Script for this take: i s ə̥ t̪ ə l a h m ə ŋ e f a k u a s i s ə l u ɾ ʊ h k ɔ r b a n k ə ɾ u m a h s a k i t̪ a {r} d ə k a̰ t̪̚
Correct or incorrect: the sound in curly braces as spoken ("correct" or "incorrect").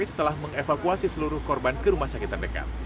correct